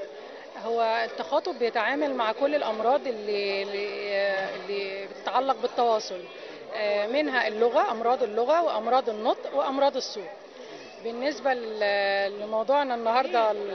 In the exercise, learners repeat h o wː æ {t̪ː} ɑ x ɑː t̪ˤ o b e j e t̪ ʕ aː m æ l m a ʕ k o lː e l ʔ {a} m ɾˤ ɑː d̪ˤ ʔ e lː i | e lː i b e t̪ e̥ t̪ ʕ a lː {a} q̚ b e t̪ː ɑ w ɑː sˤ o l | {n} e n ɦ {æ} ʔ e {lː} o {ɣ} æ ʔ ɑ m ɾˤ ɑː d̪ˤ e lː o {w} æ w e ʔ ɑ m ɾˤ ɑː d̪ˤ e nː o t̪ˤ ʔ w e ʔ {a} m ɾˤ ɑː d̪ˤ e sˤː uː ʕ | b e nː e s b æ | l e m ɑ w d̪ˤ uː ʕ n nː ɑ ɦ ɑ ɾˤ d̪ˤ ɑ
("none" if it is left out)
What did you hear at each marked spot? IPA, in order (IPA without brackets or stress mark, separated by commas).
t̪ː, ɑ, ɑ, m, æ, lː, ɣ, ɣ, ɑ